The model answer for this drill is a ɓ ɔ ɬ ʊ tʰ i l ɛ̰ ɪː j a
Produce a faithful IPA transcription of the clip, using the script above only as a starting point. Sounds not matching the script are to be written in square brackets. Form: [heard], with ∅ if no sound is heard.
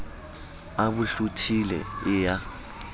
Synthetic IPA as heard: a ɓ [u] ɬ [u] tʰ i l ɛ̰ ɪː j a